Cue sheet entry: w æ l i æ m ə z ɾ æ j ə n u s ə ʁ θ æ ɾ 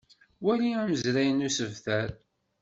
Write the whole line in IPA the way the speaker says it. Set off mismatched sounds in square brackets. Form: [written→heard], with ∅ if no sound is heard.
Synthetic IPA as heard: w æ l i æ m ə z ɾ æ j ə n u s ə [ʁ→v] θ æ ɾ